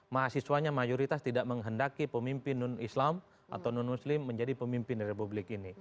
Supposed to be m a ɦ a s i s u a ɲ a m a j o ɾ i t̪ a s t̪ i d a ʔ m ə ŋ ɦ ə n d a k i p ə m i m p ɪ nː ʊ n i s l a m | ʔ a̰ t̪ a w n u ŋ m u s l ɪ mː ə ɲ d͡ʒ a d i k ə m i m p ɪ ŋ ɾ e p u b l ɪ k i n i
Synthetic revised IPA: m a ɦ a s i s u a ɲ a m a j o ɾ i t̪ a s t̪ i d a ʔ m ə ŋ ɦ ə n d a k i p ə m i m p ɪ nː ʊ n i s l a m | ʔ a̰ t̪ a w n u n m u s l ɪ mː ə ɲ d͡ʒ a d i p ə m i m p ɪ n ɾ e p u b l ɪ k i n i